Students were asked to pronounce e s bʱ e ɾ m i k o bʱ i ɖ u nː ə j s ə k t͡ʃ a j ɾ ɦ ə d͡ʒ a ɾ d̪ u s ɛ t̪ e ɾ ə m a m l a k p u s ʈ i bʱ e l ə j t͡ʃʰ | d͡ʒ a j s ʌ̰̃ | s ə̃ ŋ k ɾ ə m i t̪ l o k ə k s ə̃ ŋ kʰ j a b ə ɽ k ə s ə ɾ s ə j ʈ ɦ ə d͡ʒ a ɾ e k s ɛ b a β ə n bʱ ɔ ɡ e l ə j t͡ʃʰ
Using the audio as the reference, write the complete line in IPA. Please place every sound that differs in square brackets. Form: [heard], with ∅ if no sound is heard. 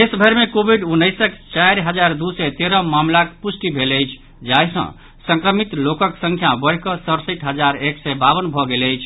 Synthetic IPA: e s bʱ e ɾ m [e] k o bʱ i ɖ u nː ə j s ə k t͡ʃ a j ɾ ɦ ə d͡ʒ a ɾ d̪ u s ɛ t̪ e ɾ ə m a m l a k p u s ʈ i bʱ e l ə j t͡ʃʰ | d͡ʒ a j s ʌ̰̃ | s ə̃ ŋ k ɾ ə m i t̪ l o k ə k s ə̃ ŋ kʰ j a b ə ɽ k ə s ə ɾ s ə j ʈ ɦ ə d͡ʒ a ɾ e k s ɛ b a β ə n bʱ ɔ ɡ e l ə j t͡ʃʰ